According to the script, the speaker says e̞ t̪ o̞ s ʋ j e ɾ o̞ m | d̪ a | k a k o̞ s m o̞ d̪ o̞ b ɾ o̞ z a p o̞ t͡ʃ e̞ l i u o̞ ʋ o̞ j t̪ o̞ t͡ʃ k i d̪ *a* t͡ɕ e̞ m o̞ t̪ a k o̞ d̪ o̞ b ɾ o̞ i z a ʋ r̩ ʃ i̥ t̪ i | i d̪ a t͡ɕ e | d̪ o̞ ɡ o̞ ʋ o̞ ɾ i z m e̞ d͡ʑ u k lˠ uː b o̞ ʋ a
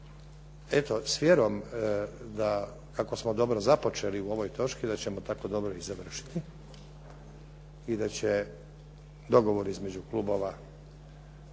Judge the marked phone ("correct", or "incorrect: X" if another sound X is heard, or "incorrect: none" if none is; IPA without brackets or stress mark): correct